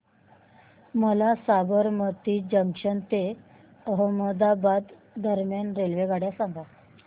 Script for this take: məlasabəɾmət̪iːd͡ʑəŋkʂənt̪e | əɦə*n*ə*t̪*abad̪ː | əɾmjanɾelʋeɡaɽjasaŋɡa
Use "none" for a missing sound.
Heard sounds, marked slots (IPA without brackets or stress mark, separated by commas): m, d̪